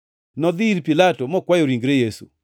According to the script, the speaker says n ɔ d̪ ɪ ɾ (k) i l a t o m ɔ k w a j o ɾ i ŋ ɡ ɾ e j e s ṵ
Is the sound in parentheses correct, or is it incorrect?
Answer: incorrect: p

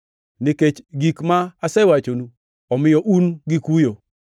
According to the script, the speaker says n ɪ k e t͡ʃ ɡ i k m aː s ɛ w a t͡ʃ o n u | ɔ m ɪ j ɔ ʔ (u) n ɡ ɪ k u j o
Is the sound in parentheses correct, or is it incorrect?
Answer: correct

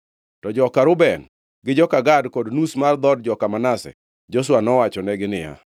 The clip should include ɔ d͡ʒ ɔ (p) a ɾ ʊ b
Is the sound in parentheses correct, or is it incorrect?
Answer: incorrect: k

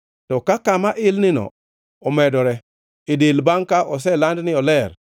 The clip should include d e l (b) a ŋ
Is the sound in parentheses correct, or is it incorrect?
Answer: correct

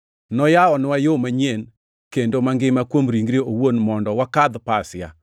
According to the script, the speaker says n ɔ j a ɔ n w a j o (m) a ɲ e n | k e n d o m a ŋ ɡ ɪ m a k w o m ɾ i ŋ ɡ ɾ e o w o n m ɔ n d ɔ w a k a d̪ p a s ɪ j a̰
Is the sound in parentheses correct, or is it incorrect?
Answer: correct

